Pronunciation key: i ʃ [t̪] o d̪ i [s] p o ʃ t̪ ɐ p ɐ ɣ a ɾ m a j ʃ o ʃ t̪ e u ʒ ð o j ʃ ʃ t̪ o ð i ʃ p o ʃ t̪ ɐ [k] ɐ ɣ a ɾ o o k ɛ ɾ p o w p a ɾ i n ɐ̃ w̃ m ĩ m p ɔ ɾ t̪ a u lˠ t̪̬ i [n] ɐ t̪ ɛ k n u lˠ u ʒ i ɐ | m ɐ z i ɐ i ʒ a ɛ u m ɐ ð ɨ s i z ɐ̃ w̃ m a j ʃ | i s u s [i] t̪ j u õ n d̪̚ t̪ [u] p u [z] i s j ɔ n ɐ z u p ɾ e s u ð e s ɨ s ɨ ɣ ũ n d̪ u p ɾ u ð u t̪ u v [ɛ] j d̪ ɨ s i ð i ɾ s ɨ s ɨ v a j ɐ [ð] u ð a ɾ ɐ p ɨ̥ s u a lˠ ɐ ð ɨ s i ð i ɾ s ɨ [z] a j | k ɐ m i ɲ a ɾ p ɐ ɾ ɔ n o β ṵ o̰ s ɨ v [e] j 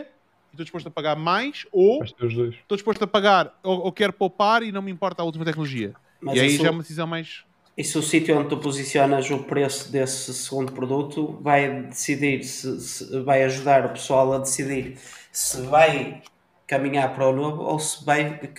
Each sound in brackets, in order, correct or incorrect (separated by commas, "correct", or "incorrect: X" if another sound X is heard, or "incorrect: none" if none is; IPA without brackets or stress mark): correct, incorrect: ʃ, incorrect: p, incorrect: m, correct, correct, correct, incorrect: a, incorrect: ʒ, incorrect: v, incorrect: a